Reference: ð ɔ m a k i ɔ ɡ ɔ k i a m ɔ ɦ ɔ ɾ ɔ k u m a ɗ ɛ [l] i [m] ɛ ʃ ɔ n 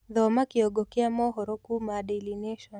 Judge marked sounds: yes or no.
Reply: yes, no

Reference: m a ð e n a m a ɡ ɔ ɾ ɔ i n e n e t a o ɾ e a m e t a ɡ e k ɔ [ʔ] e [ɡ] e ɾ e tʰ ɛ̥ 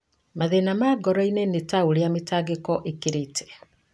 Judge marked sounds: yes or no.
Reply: yes, no

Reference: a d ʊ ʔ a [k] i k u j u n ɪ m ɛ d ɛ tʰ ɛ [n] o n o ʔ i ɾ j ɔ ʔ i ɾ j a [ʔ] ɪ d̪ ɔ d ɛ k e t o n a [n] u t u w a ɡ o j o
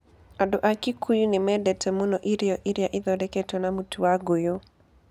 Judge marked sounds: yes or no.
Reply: yes, no, yes, no

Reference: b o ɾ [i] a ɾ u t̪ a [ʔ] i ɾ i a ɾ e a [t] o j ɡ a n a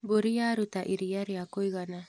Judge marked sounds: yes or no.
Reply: yes, yes, no

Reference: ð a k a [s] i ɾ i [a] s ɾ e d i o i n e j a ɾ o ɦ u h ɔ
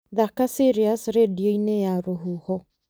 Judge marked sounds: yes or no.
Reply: yes, yes

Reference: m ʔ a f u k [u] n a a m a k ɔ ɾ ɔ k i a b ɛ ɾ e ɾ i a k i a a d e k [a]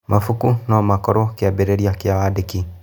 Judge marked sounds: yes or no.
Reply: yes, no

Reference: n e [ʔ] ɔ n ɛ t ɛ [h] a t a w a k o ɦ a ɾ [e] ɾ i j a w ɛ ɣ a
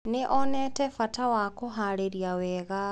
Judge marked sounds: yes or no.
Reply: yes, no, yes

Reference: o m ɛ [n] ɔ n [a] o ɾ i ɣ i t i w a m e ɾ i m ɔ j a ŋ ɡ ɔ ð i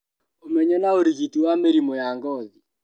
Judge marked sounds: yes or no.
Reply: no, yes

